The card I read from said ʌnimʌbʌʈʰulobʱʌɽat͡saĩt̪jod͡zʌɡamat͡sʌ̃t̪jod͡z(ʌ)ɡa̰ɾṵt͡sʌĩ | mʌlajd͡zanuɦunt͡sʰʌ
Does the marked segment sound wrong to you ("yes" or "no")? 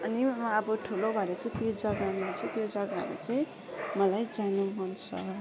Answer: no